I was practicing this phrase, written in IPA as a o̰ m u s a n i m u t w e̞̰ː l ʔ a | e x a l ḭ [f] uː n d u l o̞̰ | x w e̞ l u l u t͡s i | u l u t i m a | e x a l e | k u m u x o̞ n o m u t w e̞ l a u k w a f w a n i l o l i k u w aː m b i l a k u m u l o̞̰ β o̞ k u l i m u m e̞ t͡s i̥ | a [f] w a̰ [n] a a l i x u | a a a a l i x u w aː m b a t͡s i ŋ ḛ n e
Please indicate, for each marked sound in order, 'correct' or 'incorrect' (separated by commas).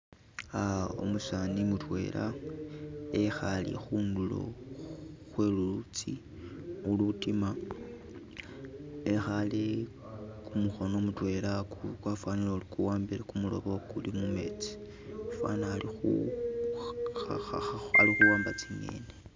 incorrect, correct, correct